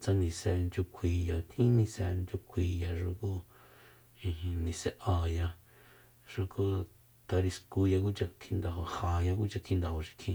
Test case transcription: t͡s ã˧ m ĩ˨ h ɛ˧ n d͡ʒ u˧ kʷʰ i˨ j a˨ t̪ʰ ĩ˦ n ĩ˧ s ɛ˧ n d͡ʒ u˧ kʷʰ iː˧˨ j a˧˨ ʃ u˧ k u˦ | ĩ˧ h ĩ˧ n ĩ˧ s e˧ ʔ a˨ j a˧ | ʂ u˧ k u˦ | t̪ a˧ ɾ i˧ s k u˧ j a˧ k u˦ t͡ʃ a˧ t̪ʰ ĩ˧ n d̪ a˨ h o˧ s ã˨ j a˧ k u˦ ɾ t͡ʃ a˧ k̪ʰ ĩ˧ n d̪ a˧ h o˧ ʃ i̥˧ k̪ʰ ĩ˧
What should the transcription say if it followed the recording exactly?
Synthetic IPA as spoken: t͡s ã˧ n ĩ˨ s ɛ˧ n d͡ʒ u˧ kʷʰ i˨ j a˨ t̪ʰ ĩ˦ n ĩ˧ s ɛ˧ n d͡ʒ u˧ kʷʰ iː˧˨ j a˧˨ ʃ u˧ k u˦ | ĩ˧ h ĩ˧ n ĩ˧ s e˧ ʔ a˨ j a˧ | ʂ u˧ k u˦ | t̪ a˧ ɾ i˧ s k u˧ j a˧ k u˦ t͡ʃ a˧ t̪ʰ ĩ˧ n d̪ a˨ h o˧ h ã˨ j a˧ k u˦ t͡ʃ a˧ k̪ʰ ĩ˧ n d̪ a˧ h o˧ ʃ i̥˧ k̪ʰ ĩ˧

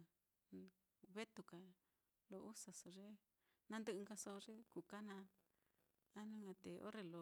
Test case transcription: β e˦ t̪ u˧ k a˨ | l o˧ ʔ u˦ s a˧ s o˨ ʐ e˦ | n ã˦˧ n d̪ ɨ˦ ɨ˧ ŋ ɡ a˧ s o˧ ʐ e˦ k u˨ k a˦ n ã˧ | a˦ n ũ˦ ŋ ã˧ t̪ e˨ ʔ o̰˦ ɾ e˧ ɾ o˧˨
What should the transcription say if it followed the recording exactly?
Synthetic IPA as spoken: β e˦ t̪ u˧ k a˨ | l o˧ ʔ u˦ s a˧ s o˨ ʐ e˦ | n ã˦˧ n d̪ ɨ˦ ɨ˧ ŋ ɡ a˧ s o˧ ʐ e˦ k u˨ k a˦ n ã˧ | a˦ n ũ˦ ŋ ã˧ t̪ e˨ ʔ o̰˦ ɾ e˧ l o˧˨

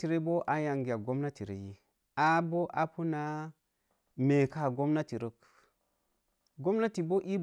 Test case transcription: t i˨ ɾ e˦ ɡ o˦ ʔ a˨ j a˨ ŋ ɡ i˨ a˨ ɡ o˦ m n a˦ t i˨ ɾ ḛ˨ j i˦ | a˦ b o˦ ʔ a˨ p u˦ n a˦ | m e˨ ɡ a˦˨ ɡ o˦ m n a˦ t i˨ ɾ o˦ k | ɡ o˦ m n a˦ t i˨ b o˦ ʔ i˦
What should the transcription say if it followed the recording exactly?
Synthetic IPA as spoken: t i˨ ɾ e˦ b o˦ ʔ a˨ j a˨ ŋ ɡ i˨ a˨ ɡ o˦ m n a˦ t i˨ ɾ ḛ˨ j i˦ | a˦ b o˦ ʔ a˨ p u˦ n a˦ | m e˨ k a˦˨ ɡ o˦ m n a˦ t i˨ ɾ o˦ k | ɡ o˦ m n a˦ t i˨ b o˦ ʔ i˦

